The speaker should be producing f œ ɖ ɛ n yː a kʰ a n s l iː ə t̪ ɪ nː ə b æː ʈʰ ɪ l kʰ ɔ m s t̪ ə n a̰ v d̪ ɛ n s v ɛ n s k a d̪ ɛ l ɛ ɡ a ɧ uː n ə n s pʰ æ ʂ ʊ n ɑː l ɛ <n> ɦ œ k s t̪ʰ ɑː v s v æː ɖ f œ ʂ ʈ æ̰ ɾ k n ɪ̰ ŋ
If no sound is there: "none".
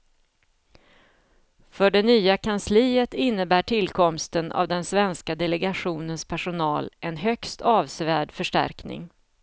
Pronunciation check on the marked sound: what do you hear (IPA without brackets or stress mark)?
n